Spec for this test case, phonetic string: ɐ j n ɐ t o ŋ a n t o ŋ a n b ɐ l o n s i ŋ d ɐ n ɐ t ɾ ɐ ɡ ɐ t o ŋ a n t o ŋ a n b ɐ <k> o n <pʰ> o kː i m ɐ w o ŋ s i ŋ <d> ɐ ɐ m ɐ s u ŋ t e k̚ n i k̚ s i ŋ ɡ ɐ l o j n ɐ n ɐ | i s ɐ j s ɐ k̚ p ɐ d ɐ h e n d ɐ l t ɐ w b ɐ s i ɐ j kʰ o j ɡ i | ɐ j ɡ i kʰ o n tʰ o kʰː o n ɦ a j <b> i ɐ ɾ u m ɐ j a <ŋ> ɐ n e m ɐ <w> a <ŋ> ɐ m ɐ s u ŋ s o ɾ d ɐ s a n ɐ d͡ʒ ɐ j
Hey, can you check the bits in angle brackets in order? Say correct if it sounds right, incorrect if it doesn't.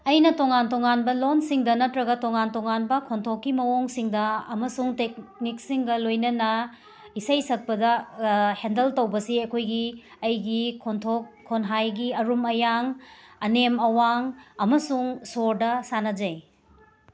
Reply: incorrect: kʰ, incorrect: tʰ, correct, incorrect: ɡ, correct, correct, correct

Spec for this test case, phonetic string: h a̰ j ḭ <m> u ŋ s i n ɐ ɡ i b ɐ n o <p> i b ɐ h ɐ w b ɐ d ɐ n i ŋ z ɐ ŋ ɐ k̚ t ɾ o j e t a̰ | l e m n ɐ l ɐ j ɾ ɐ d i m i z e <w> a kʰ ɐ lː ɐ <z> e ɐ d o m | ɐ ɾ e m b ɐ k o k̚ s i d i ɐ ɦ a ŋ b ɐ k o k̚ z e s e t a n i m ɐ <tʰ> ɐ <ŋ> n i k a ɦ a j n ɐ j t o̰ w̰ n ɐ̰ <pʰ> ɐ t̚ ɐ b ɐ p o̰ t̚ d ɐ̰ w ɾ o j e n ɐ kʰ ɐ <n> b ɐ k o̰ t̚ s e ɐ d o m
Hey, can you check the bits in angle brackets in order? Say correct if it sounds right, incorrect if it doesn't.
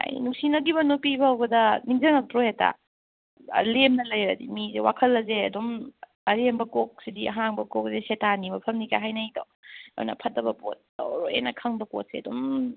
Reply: incorrect: n, correct, correct, correct, incorrect: pʰ, incorrect: m, correct, incorrect: ŋ

